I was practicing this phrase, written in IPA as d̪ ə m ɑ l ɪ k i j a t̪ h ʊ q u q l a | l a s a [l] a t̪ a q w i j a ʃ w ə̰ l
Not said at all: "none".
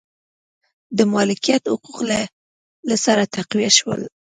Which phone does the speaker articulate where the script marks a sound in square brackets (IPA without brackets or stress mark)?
ɾ